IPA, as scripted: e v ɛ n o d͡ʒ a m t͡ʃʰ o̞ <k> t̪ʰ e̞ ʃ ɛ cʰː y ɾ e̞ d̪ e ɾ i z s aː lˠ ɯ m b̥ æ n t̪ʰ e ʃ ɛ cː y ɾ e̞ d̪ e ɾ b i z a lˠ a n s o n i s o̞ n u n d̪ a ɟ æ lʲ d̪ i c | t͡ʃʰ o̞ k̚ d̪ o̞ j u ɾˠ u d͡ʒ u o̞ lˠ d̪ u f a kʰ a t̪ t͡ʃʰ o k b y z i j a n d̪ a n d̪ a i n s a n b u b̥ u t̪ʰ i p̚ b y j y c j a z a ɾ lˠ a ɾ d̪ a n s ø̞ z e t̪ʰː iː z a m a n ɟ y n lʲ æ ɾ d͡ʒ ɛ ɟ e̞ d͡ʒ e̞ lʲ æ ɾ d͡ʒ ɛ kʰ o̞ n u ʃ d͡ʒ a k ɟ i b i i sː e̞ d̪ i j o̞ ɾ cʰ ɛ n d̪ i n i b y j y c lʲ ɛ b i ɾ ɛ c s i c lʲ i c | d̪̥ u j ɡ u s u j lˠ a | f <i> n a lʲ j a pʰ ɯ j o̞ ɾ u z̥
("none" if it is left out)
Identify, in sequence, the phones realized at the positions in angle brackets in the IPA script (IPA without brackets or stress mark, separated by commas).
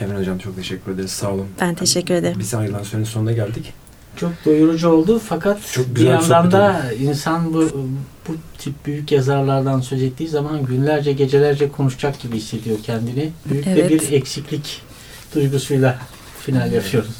k, i